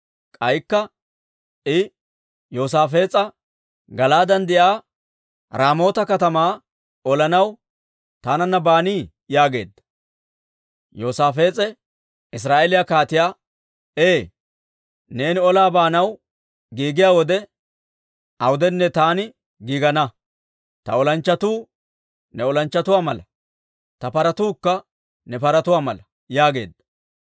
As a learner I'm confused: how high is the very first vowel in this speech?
low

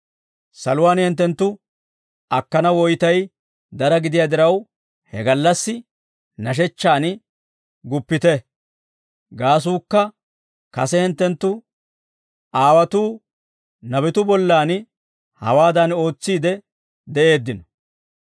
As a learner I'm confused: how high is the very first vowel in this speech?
low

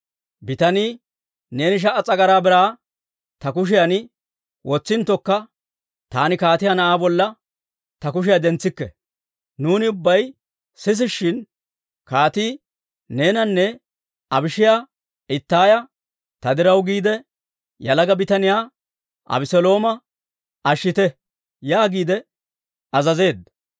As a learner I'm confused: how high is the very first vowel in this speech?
high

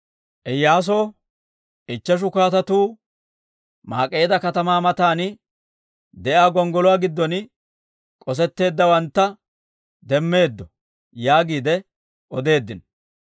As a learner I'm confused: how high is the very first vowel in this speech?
mid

